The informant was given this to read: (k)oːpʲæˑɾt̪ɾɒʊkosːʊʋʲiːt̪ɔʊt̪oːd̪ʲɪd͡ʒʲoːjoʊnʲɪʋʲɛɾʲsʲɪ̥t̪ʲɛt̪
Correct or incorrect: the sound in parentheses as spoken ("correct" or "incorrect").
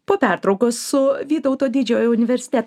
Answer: incorrect